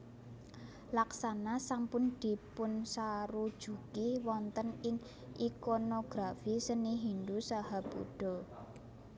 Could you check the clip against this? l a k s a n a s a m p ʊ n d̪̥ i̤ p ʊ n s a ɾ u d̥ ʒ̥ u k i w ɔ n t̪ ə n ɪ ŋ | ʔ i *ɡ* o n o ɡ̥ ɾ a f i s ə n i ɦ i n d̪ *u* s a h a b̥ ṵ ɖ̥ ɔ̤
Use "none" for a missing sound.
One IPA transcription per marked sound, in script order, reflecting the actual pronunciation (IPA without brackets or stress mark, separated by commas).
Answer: k, u